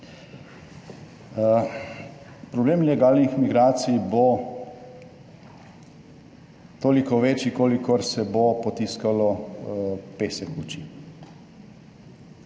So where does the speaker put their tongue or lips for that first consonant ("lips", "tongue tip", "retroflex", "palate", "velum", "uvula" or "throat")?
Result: lips